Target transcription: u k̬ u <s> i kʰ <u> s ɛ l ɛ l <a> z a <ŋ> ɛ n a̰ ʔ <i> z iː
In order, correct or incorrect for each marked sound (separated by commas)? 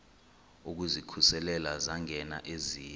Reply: incorrect, correct, correct, correct, incorrect